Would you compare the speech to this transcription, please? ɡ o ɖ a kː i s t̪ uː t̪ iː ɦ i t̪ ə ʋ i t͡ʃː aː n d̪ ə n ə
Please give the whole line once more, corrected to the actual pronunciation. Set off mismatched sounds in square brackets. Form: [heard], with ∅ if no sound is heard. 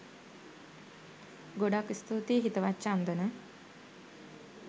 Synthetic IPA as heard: ɡ o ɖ a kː i s t̪ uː t̪ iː ɦ i t̪ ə ʋ [a] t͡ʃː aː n d̪ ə n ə